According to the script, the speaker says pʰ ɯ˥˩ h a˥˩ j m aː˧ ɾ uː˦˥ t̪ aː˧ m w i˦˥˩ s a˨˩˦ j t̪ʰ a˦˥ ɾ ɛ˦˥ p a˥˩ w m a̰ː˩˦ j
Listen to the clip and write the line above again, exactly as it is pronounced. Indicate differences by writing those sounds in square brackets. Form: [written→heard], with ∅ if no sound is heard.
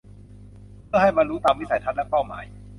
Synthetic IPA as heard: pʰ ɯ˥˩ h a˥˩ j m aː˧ ɾ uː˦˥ t̪ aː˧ m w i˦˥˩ s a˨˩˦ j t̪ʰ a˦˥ [ɾ→l] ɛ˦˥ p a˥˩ w m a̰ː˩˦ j

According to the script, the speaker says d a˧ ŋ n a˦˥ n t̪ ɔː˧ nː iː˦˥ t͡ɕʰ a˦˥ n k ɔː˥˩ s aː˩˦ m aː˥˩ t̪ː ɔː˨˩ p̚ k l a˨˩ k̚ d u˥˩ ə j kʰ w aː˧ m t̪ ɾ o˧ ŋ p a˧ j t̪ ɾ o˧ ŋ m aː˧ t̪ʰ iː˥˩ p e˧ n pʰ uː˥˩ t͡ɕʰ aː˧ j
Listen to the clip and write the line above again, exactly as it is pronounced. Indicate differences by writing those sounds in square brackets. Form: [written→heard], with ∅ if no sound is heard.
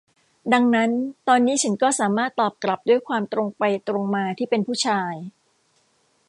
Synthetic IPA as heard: d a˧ ŋ n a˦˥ n t̪ ɔː˧ nː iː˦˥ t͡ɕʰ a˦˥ n k ɔː˥˩ s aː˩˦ m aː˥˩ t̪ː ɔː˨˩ p̚ k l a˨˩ [k̚→p̚] d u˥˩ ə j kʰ w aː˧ m t̪ ɾ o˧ ŋ p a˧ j t̪ ɾ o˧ ŋ m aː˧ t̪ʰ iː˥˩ p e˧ n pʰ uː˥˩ t͡ɕʰ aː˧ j

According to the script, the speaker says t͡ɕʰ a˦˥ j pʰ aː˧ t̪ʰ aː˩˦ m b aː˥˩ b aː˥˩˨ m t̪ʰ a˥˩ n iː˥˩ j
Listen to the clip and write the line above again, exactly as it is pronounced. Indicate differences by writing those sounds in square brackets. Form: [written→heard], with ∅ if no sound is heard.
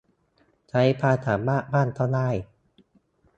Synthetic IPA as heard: t͡ɕʰ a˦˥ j pʰ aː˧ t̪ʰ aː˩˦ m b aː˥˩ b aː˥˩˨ [m→n] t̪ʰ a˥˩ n [iː˥˩→aː˥˩] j

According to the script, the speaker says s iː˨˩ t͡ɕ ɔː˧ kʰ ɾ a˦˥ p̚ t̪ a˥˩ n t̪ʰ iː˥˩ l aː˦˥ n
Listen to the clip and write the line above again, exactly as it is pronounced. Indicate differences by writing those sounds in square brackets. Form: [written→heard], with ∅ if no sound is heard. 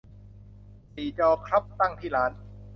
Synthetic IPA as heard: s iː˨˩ t͡ɕ ɔː˧ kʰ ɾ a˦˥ p̚ t̪ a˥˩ [n→ŋ] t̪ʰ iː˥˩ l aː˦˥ n

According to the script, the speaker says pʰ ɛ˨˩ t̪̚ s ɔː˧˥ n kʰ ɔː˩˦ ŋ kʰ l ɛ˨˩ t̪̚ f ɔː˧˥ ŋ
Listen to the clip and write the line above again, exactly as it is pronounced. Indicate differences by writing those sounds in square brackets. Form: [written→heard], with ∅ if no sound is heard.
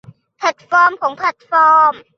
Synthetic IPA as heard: pʰ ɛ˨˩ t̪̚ [s→f] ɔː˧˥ [n→m] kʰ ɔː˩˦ ŋ [kʰ→pʰ] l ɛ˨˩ t̪̚ f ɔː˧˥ [ŋ→m]

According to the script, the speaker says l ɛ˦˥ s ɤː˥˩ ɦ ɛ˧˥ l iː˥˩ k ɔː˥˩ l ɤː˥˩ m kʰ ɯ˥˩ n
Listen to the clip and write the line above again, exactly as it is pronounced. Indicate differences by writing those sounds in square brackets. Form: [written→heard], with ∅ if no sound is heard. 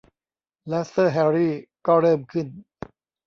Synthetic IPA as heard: l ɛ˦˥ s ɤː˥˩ ɦ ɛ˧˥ [l→ɾ] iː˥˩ k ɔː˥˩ [l→ɾ] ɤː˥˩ m kʰ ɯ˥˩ n

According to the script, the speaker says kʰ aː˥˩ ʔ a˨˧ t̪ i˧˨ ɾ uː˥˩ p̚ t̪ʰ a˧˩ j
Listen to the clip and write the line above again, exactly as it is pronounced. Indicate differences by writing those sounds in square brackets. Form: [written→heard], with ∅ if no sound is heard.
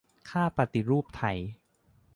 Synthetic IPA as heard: kʰ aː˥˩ [ʔ→p] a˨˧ t̪ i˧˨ ɾ uː˥˩ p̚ t̪ʰ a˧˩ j

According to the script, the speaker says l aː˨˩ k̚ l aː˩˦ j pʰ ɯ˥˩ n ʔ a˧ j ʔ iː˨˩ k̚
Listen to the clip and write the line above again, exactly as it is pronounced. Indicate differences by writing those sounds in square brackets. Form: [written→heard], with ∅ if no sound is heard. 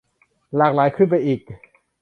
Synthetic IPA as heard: l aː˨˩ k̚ l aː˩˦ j [pʰ→kʰ] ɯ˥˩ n [ʔ→p] a˧ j ʔ iː˨˩ k̚

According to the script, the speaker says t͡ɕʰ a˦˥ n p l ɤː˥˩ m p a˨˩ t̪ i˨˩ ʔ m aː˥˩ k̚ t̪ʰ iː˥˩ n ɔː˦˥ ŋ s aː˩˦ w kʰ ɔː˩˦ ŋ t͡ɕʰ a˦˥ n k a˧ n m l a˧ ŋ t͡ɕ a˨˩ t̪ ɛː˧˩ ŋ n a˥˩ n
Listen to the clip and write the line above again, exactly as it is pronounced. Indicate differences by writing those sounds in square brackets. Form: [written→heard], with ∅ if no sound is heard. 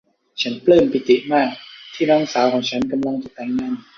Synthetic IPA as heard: t͡ɕʰ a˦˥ n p l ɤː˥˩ m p [a˨˩→i˨˩] t̪ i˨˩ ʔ m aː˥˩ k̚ t̪ʰ iː˥˩ n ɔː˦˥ ŋ s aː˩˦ w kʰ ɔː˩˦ ŋ t͡ɕʰ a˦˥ n k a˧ [n→∅] m l a˧ ŋ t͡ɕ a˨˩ t̪ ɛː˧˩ ŋ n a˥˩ n

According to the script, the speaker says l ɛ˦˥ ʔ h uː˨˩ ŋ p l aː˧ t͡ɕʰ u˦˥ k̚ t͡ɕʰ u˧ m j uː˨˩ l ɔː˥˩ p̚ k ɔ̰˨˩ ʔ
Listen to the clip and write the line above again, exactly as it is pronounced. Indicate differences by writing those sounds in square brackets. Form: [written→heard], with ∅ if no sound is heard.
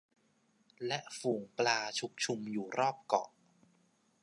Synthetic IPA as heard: l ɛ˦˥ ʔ [h→f] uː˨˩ ŋ p l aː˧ t͡ɕʰ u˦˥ k̚ t͡ɕʰ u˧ m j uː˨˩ [l→ɾ] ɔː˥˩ p̚ k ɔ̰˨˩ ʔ

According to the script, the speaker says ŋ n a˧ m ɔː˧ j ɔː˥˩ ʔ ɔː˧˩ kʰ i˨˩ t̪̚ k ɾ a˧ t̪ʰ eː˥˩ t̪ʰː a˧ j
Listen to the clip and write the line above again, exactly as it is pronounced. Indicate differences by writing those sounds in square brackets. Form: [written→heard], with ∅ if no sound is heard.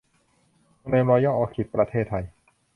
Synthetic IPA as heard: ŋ n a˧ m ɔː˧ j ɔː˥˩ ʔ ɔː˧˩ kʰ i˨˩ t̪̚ [k→p] ɾ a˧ t̪ʰ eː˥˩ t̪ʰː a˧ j

